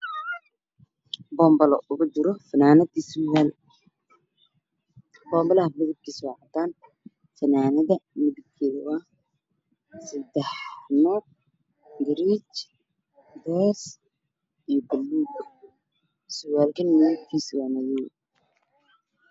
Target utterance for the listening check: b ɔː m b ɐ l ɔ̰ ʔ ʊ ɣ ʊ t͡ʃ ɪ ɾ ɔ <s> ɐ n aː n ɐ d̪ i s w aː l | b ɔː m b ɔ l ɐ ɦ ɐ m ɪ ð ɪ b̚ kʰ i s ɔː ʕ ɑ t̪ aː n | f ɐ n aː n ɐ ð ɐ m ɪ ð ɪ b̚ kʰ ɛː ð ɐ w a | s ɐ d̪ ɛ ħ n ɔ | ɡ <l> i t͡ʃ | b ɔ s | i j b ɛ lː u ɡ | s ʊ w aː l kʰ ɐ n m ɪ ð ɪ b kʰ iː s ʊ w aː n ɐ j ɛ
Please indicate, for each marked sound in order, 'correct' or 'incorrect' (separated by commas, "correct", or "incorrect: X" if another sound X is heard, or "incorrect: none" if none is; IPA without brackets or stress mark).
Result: incorrect: f, incorrect: ɾ